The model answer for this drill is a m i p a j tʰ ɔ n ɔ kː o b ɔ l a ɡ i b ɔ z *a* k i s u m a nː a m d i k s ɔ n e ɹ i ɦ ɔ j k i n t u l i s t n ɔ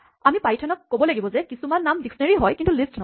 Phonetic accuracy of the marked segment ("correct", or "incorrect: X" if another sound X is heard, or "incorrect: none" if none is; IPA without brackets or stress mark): incorrect: ɛ